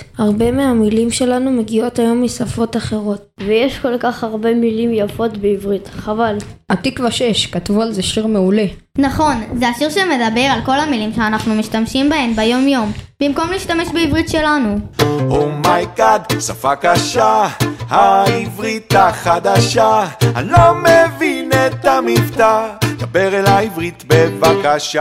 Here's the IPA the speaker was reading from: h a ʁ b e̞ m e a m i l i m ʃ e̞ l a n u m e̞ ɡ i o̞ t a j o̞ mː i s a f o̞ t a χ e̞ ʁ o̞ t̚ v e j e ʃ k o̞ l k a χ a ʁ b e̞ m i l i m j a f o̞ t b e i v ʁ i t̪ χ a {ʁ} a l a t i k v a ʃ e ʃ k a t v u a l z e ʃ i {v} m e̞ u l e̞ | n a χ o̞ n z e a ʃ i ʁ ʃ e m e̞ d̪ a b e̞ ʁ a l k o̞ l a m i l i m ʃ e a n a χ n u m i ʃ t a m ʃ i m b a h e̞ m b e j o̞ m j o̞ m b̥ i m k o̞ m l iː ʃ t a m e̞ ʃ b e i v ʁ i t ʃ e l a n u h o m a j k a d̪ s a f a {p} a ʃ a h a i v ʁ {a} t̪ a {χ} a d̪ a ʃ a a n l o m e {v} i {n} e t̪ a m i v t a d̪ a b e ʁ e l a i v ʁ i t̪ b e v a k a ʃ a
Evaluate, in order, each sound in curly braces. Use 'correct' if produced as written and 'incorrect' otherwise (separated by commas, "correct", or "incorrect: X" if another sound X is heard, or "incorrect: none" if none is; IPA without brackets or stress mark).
incorrect: v, incorrect: ʁ, incorrect: k, incorrect: i, correct, correct, correct